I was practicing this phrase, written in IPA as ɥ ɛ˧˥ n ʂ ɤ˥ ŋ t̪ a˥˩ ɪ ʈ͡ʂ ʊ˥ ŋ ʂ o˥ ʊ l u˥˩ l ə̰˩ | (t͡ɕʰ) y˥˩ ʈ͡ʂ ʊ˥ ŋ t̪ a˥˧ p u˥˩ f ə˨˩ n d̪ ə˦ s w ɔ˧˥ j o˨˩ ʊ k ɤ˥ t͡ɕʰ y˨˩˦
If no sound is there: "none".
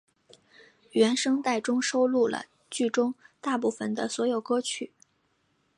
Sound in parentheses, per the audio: t͡ɕ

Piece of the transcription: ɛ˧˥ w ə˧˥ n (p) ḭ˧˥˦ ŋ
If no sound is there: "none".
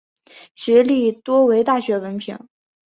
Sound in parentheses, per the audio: pʰ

